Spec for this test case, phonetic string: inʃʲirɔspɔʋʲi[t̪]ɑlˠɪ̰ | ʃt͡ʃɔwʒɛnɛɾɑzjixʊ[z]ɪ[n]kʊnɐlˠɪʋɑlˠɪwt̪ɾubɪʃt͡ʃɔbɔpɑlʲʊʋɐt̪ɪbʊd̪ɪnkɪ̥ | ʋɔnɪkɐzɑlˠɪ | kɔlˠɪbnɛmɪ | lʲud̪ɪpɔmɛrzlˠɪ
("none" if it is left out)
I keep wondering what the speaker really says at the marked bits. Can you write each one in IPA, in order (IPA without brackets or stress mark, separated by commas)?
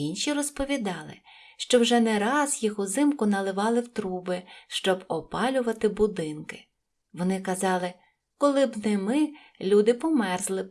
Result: d̪, z, m